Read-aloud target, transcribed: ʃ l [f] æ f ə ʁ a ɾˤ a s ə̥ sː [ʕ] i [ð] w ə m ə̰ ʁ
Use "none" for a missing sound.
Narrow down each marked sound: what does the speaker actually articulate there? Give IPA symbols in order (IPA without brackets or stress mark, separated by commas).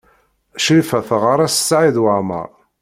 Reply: f, ʕ, ð